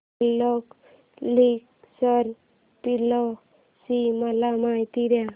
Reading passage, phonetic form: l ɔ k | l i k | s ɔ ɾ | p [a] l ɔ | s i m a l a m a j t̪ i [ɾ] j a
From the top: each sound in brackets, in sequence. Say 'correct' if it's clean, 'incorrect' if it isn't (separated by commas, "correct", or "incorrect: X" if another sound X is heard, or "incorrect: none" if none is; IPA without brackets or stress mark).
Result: incorrect: i, correct